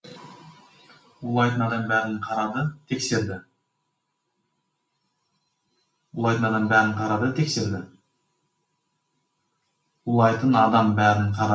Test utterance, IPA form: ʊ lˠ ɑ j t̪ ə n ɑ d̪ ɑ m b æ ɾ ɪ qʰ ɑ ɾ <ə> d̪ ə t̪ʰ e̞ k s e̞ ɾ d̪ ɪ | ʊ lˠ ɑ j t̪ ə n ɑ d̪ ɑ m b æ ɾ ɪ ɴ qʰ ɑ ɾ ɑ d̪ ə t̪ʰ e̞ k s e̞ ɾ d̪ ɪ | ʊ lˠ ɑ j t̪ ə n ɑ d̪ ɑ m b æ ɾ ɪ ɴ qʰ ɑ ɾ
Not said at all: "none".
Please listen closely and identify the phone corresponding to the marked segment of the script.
ɑ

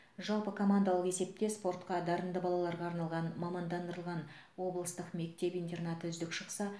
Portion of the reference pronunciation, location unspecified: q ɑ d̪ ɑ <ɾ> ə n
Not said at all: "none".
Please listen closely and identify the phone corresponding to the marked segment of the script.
ɾ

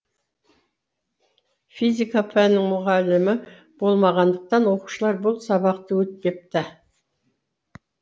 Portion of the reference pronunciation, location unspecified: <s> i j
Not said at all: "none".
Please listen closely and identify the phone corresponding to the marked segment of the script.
f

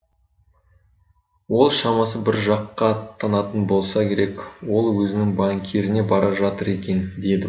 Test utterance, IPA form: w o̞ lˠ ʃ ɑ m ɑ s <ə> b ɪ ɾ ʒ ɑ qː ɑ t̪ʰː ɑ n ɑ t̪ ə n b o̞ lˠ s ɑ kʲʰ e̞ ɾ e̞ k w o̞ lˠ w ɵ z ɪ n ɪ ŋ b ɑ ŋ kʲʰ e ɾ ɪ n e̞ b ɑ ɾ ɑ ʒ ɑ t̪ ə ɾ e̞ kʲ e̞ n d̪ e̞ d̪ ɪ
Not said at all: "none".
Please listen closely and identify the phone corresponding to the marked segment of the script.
ə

